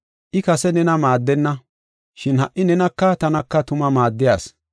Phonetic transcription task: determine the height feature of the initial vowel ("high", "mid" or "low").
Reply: high